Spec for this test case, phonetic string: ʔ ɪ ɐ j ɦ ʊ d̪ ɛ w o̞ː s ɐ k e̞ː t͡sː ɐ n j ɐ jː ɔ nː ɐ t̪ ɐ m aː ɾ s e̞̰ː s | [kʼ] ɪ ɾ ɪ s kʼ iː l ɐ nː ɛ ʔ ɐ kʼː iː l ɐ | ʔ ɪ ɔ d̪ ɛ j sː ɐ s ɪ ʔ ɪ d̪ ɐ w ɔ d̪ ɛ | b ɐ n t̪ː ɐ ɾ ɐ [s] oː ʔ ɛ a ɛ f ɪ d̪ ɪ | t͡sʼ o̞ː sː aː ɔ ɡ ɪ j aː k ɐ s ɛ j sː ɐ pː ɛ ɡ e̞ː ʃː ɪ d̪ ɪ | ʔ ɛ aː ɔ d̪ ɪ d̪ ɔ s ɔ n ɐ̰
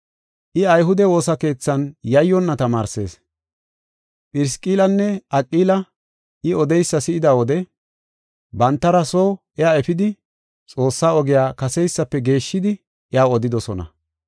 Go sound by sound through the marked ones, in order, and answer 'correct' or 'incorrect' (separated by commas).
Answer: incorrect, correct